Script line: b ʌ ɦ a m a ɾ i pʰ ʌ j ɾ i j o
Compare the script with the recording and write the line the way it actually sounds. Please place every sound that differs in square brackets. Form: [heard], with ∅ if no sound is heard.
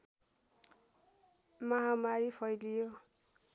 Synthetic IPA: [m] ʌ ɦ a m a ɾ i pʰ ʌ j [l] i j o